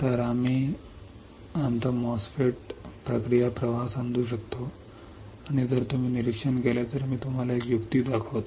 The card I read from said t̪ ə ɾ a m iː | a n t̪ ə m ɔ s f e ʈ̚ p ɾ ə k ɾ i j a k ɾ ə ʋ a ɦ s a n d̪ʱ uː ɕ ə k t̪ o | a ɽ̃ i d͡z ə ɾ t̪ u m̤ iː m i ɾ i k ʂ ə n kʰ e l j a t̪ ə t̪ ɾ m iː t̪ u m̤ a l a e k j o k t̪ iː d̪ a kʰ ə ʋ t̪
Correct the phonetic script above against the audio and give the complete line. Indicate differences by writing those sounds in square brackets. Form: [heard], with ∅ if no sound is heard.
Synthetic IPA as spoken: t̪ ə ɾ a m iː | a n t̪ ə m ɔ s f e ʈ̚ p ɾ ə k ɾ i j a [p] ɾ ə ʋ a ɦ s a n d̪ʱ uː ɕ ə k t̪ o | a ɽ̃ i d͡z ə ɾ t̪ u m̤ iː [n] i ɾ i k ʂ ə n [k] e l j a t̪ ə [∅] ɾ m iː t̪ u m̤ a l a e k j [u] k t̪ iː d̪ a kʰ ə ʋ t̪